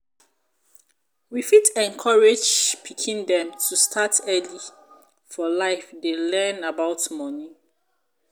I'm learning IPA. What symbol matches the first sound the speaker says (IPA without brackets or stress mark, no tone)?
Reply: w